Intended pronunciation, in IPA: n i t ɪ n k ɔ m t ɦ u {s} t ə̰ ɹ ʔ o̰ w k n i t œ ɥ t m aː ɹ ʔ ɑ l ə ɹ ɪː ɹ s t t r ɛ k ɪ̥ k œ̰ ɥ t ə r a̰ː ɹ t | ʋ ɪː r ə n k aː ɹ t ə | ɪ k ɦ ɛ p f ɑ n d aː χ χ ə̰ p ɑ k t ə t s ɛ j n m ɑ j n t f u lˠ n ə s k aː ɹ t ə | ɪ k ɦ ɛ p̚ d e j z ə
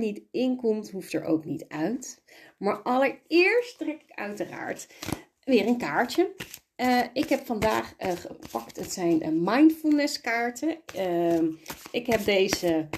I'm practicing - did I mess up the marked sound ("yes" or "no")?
yes